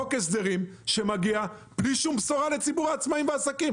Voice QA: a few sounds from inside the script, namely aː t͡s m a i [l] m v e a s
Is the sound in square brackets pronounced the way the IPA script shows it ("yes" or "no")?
no